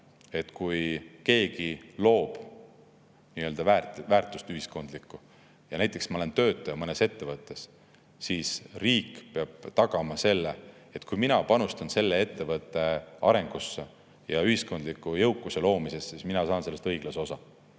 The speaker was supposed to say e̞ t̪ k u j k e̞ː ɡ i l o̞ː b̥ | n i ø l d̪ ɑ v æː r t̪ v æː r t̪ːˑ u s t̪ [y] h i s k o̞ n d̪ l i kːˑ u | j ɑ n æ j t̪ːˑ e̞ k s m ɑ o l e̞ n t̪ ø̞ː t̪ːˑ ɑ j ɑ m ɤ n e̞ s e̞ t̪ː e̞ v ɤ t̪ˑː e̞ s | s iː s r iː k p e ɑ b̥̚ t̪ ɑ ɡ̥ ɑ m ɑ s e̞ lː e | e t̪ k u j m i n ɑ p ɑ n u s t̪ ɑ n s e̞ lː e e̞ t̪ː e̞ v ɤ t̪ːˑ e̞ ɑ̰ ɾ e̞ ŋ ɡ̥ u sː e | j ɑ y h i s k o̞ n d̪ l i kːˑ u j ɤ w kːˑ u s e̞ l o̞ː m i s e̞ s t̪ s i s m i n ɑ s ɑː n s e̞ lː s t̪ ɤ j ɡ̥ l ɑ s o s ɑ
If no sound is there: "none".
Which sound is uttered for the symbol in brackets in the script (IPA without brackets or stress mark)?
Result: y